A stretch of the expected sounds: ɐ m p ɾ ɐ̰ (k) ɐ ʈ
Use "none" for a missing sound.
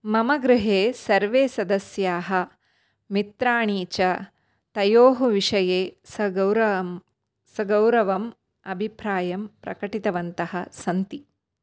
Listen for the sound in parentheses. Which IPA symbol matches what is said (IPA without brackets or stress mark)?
k